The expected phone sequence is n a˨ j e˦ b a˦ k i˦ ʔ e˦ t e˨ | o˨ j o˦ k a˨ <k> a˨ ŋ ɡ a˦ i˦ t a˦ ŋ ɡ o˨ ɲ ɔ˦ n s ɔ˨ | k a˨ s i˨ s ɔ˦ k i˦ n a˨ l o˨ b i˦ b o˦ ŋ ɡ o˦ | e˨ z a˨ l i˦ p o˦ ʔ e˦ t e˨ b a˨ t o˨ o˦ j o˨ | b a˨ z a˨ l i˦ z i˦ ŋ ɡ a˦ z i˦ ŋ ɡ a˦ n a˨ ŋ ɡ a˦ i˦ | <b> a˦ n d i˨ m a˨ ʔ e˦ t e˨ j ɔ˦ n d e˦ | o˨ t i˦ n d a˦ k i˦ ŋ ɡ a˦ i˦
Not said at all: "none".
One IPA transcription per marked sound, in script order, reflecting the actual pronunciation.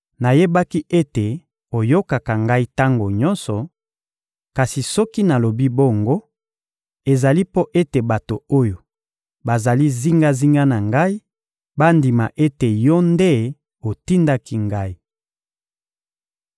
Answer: k, b

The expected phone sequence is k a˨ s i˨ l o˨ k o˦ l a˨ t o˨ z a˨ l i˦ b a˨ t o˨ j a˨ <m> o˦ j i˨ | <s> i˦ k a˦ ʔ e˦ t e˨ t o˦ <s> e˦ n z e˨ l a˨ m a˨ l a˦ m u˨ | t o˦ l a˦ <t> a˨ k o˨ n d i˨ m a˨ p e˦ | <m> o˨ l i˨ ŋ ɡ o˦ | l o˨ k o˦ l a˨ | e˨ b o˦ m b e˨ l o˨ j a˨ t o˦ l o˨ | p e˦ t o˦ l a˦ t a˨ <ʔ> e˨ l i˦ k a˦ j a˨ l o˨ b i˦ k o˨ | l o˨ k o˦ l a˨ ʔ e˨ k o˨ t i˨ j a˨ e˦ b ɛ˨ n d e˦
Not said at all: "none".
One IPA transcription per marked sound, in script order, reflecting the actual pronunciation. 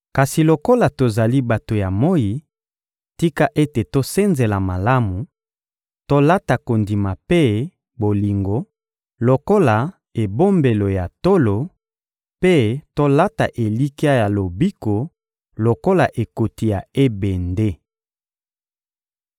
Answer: m, t, s, t, b, ʔ

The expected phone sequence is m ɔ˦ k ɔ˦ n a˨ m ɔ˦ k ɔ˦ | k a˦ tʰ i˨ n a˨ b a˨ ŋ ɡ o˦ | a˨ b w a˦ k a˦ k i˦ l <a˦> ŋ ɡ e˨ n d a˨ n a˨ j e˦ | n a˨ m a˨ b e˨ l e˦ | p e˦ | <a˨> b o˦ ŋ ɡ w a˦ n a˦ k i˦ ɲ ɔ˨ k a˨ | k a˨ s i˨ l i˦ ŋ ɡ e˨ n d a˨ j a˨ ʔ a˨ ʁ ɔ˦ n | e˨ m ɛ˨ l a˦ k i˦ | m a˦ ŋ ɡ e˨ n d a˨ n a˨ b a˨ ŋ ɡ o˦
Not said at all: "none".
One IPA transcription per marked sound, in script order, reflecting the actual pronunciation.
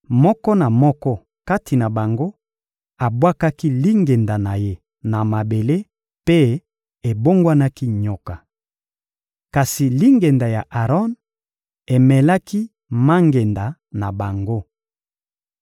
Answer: i˦, e˨

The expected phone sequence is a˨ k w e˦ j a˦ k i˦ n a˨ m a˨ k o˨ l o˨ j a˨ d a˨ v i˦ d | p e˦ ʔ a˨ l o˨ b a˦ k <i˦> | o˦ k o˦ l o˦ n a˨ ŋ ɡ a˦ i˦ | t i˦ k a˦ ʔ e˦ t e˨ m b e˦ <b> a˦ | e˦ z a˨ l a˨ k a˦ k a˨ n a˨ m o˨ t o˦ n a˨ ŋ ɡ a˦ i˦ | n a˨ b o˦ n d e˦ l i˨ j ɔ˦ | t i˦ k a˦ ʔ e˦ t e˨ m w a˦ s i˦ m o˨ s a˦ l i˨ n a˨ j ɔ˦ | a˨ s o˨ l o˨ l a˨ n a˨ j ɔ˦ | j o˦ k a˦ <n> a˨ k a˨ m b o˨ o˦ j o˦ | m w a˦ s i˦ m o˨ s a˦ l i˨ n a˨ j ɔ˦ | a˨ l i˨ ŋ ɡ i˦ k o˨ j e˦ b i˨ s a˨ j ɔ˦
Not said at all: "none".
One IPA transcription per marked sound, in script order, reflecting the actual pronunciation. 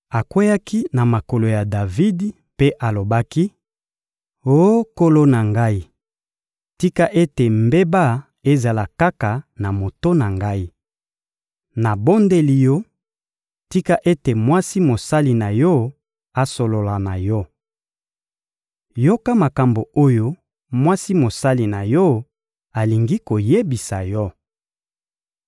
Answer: i˦, b, m

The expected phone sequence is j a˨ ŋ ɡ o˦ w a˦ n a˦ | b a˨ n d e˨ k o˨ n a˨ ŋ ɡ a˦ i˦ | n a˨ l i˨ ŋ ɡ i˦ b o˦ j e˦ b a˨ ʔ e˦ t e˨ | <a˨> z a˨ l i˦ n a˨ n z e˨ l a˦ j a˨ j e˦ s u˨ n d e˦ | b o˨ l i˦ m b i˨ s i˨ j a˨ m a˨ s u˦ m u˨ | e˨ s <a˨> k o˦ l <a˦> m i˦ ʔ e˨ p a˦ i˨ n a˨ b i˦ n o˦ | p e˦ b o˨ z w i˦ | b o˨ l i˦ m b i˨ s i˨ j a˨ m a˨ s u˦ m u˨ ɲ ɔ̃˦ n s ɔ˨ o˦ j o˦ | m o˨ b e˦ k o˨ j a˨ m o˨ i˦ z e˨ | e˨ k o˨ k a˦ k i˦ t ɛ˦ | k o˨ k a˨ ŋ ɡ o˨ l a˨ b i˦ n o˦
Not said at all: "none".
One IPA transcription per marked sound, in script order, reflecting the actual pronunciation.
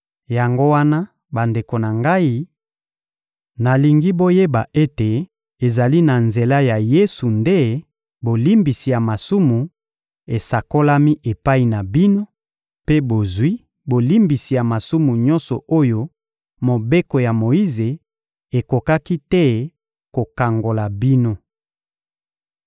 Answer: e˨, a˨, a˦

